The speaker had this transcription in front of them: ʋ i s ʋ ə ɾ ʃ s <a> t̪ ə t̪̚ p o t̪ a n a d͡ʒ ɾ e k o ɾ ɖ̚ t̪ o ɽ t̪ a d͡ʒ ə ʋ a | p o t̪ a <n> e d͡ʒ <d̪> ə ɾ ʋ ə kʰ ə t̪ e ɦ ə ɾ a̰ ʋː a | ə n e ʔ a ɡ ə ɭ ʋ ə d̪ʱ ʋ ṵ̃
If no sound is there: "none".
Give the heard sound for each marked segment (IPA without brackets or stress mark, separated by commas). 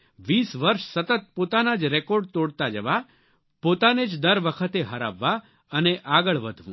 ə, n, d̪